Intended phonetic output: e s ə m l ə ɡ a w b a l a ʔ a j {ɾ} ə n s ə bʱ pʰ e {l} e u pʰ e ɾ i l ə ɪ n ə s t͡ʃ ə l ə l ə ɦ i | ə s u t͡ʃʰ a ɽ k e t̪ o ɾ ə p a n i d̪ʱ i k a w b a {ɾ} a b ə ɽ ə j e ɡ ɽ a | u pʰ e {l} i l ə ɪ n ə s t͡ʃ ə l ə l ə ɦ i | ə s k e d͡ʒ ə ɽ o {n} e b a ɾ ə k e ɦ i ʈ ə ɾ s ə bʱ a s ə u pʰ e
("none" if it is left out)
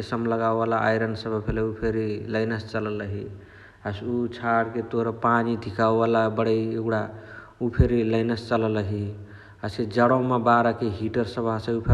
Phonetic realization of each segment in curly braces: ɾ, l, l, ɾ, m

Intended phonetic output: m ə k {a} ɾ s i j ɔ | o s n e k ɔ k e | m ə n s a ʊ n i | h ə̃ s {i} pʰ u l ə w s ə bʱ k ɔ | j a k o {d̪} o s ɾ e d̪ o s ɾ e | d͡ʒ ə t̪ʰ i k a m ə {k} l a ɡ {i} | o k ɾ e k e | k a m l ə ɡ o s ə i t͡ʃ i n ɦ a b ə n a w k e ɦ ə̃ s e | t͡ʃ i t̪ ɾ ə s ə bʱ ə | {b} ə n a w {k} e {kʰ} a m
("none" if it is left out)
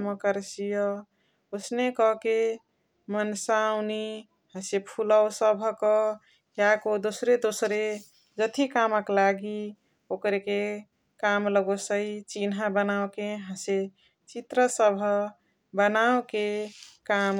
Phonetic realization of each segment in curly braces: ə, e, d̪, k, i, b, k, k

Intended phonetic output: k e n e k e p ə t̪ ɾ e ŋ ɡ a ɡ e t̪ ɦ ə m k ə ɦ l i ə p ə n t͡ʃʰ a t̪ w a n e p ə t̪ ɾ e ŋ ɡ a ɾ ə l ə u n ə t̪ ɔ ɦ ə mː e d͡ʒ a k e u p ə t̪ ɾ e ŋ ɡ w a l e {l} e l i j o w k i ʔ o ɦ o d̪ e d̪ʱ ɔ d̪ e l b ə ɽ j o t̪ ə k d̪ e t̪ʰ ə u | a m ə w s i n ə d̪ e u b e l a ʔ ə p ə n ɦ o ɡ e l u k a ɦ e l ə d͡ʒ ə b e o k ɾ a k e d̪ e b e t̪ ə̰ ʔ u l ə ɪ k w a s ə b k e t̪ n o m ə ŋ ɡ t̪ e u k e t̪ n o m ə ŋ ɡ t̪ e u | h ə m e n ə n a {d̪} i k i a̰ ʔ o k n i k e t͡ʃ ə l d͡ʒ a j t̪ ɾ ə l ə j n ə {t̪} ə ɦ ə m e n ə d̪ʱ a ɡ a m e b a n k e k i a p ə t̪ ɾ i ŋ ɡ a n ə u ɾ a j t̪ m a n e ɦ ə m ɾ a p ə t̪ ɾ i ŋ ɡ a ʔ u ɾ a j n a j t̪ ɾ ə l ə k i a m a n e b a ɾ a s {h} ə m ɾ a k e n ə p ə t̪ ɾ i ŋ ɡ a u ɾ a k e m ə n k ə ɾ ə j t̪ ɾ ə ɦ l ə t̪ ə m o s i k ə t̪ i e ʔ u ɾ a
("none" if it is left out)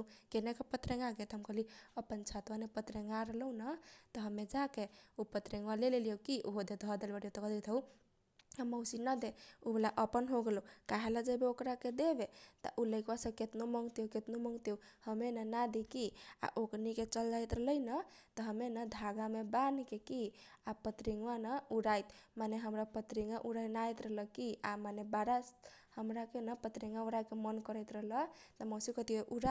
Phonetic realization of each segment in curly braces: l, d̪, t̪, h

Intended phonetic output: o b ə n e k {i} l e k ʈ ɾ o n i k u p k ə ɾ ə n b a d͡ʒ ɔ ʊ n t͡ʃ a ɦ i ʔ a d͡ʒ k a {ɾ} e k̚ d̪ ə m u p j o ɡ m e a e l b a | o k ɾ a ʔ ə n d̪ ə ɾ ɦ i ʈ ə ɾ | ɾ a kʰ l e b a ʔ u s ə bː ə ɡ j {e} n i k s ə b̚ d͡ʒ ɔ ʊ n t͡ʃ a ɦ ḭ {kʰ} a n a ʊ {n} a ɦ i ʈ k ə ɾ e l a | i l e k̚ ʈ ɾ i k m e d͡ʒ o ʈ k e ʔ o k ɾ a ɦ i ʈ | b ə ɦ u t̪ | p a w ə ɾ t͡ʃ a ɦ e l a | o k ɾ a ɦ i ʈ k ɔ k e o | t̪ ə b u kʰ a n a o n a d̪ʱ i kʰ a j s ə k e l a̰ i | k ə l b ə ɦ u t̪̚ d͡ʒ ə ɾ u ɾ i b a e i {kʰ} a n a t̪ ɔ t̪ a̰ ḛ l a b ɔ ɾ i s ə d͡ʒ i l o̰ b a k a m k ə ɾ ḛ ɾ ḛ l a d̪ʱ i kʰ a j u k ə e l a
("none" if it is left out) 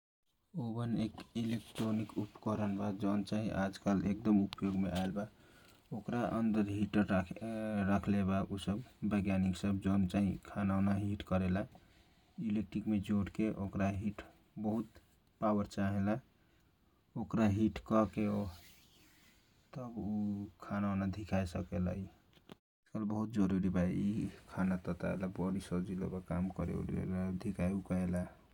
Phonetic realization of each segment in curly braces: i, l, a, kʰ, n, kʰ

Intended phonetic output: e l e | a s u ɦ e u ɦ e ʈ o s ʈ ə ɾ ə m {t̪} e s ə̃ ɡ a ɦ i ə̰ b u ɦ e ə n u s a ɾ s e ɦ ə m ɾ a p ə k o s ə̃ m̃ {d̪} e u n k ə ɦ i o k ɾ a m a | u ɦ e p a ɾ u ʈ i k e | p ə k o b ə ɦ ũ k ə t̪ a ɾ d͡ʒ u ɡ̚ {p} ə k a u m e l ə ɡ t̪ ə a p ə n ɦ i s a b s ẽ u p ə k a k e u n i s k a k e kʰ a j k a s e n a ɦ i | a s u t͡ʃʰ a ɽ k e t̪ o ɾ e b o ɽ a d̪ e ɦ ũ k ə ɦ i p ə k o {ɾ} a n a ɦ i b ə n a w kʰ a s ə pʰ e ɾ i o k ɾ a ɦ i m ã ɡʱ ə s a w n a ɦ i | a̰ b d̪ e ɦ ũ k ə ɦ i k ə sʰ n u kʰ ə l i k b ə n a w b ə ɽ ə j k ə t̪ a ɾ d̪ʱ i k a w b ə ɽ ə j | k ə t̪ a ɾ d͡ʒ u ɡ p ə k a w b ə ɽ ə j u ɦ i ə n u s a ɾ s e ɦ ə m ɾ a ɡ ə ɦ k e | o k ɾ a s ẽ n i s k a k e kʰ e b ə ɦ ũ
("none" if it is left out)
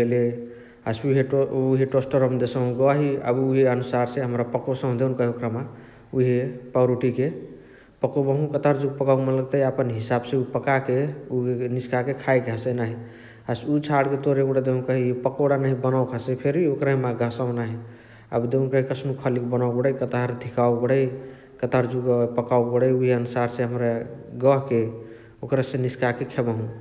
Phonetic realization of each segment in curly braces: d̪, d̪, p, ɽ

